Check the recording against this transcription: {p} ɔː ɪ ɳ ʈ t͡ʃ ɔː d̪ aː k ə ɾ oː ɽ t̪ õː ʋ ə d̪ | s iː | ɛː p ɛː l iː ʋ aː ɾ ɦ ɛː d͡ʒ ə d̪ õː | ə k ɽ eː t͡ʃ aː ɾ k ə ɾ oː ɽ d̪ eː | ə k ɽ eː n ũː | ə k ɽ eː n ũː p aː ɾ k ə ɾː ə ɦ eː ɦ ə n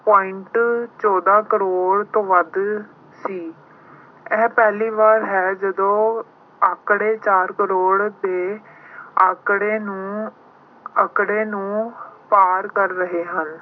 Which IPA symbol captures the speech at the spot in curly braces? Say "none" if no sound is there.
p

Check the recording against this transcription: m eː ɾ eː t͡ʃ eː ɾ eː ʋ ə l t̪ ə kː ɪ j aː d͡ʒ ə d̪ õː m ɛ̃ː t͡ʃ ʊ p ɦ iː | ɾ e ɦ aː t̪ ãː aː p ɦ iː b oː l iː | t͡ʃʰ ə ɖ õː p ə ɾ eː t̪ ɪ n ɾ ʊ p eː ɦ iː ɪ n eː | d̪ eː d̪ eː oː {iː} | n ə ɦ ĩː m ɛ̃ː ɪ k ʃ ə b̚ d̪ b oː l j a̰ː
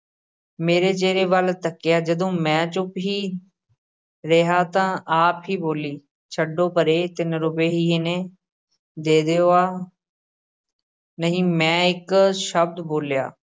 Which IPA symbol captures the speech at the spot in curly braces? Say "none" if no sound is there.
aː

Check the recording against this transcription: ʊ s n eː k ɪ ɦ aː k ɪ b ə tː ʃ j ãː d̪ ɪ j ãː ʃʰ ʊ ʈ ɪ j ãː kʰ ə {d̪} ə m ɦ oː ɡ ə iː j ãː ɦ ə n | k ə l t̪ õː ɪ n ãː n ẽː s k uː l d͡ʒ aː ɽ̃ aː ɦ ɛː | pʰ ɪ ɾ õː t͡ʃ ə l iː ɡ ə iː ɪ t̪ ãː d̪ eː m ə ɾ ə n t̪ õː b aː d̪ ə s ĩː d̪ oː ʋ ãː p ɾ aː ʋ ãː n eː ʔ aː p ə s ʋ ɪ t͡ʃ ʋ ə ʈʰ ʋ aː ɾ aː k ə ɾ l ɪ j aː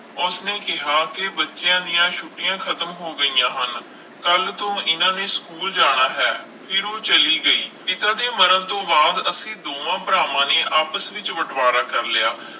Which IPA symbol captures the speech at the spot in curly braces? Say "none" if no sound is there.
t̪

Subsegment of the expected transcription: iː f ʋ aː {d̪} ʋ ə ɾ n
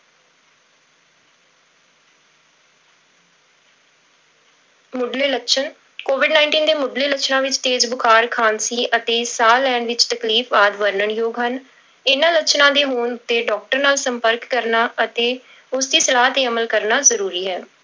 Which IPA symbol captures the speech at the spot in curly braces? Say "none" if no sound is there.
d̪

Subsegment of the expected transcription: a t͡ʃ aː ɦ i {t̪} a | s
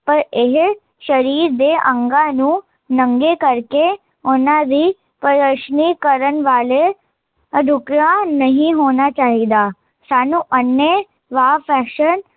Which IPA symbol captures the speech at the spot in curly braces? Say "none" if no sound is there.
d̪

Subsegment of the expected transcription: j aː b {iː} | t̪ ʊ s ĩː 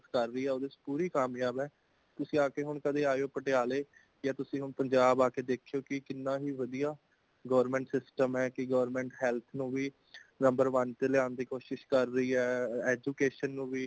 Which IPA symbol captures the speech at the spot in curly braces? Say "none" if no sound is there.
ɛː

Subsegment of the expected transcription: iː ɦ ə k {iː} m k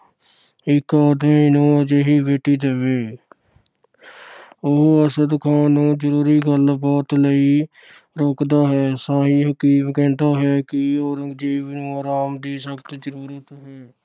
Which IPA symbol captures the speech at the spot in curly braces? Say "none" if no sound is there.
iː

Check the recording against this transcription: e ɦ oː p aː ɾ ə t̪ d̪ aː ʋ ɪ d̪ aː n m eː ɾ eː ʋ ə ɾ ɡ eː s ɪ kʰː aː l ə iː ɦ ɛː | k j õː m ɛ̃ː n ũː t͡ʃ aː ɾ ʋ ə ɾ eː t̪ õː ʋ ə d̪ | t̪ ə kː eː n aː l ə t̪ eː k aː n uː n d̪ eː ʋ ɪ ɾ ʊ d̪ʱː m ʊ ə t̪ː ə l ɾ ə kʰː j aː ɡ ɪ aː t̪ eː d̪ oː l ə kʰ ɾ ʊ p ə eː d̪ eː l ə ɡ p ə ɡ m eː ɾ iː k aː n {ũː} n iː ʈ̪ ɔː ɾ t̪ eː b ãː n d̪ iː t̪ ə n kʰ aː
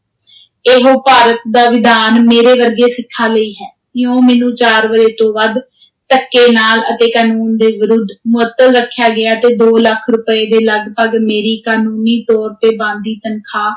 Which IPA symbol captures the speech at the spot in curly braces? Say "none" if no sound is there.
uː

